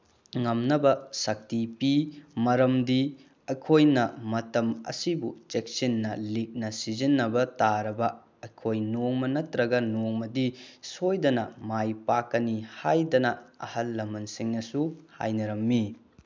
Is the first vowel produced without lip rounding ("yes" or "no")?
yes